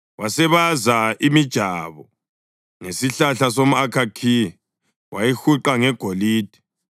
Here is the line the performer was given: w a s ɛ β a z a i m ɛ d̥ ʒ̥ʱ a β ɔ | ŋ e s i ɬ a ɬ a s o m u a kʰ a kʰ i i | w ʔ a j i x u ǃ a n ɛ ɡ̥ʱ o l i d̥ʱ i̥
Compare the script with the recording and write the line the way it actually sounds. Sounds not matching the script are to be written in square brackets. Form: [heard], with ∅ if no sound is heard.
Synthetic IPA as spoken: w a s ɛ β a z a i m [i] d̥ ʒ̥ʱ a β ɔ | ŋ e s i ɬ a ɬ a s o m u a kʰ a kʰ i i | w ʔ a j i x u ǃ a [ŋ] ɛ ɡ̥ʱ o l [iː] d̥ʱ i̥

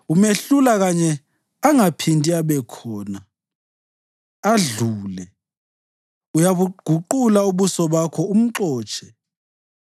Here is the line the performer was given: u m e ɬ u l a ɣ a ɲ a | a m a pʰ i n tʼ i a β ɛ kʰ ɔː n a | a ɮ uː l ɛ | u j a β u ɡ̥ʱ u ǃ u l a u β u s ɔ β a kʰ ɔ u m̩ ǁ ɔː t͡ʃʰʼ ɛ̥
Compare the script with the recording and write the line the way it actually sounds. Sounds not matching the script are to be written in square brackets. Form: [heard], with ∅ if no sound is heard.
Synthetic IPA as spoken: u m e ɬ u l a ɣ a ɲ [ɛ] | a [ŋ] a pʰ i n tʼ i a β ɛ kʰ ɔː n a | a ɮ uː l ɛ | u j a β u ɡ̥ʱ u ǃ u l a u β u s ɔ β a kʰ ɔ u m̩ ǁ ɔː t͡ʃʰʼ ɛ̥

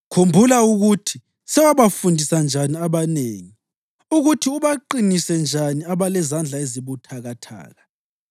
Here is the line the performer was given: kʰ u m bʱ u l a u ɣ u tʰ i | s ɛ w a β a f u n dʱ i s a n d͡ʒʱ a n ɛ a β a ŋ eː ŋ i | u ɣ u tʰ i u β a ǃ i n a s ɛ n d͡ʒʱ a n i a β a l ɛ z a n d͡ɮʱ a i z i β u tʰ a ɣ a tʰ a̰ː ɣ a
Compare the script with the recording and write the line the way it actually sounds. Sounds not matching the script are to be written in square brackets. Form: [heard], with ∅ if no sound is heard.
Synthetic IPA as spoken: kʰ u m bʱ u l a u ɣ u tʰ i | s ɛ w a β a f u n dʱ i s a n d͡ʒʱ a n [i] a β a [n] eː ŋ i | u ɣ u tʰ i u β a ǃ i n [i] s ɛ n d͡ʒʱ a n i a β a l ɛ z a n d͡ɮʱ a [e] z i β u tʰ a ɣ a tʰ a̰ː ɣ a

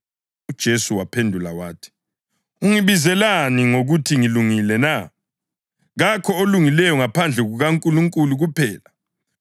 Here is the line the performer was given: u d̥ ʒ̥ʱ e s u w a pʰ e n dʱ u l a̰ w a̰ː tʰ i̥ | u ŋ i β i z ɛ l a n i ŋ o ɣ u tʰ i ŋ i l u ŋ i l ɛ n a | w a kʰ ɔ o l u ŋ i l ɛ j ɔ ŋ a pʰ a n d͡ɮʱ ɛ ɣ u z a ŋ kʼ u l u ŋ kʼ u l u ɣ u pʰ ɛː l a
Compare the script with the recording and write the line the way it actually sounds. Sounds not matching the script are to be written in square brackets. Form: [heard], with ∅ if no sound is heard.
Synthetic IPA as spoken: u d̥ ʒ̥ʱ e s u w a pʰ e n dʱ u l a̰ w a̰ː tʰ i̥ | u ŋ i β i z ɛ l a n i ŋ o ɣ u tʰ i ŋ i l u ŋ i l ɛ n a | [ɣ] a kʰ ɔ o l u ŋ i l ɛ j ɔ ŋ a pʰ a n d͡ɮʱ ɛ ɣ u [ɣ] a ŋ kʼ u l u ŋ kʼ u l u ɣ u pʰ ɛː l a

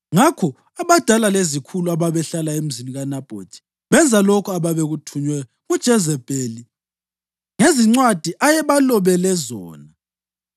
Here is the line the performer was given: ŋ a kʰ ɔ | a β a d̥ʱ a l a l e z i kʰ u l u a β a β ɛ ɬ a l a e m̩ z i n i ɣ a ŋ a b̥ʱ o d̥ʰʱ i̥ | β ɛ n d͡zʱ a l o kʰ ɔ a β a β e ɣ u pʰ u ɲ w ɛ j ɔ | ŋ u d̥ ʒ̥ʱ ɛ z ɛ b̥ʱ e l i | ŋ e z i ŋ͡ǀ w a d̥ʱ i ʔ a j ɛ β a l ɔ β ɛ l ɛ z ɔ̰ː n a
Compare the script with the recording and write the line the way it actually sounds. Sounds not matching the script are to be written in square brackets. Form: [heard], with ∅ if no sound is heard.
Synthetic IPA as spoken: ŋ a kʰ ɔ | a β a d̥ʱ a l a l e z i kʰ u l u a β a β ɛ ɬ a l a e m̩ z i n i ɣ a [n] a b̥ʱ o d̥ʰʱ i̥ | β ɛ n d͡zʱ a l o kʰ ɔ a β a β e ɣ u [tʰ] u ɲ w ɛ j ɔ | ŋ u d̥ ʒ̥ʱ ɛ z ɛ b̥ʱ e l i | ŋ e z i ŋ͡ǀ w a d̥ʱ i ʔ a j ɛ β a l ɔ β ɛ l ɛ z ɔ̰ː n a

